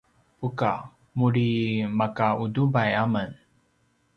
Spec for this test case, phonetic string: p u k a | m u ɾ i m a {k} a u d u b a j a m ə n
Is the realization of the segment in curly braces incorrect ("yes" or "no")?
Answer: no